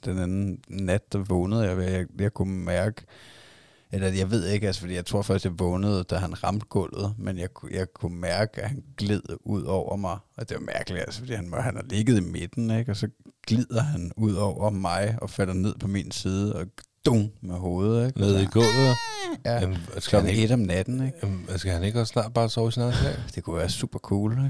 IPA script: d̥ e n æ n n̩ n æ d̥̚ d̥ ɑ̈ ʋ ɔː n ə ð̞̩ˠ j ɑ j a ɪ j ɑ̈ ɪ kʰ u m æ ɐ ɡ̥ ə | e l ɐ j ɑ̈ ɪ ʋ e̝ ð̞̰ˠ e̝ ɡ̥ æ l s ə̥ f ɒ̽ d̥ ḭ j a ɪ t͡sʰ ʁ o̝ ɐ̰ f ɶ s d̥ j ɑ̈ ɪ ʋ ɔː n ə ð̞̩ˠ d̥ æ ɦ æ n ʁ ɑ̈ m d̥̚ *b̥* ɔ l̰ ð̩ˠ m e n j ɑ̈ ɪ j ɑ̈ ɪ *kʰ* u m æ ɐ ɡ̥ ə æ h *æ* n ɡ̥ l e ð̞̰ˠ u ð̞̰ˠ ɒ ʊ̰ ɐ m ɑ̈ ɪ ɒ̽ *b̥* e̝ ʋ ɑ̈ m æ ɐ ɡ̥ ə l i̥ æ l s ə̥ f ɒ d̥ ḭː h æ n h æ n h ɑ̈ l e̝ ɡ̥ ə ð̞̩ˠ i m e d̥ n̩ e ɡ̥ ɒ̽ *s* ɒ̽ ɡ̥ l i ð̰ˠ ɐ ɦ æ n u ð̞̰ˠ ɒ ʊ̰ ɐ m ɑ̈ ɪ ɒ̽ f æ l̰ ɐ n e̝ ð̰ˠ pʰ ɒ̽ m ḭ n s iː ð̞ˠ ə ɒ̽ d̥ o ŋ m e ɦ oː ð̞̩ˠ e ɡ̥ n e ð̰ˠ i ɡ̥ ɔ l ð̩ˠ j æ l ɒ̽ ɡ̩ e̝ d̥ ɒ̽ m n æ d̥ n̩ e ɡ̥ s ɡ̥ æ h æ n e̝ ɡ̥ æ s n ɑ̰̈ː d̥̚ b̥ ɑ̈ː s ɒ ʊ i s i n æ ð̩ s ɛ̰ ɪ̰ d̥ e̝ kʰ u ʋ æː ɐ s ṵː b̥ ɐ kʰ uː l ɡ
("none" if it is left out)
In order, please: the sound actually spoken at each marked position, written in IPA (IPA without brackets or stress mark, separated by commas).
ɡ̥, kʰ, æ, d̥, s